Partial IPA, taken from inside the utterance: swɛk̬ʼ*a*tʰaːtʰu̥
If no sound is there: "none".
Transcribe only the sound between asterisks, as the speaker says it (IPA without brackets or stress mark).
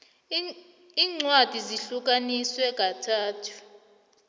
a